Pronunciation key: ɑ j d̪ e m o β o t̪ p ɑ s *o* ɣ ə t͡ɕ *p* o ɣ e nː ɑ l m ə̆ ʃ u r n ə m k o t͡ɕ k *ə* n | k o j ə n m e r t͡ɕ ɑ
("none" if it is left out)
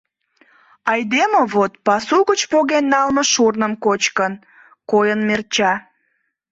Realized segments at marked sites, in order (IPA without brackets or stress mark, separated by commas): u, p, ə